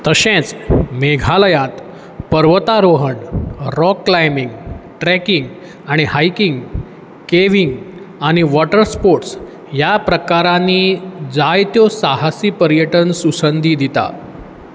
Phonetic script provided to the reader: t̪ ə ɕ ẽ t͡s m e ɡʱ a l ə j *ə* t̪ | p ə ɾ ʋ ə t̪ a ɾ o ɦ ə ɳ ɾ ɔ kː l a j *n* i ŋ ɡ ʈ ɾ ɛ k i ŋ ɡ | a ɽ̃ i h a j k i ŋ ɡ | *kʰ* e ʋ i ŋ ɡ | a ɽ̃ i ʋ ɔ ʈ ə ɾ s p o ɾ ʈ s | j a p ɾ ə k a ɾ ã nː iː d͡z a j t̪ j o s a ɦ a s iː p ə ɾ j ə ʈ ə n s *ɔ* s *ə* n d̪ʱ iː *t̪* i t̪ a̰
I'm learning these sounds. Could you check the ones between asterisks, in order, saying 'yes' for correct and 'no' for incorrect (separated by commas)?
no, no, no, no, yes, no